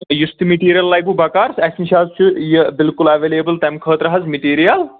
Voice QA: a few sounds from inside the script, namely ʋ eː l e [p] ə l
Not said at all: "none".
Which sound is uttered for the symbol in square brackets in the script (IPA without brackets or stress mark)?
b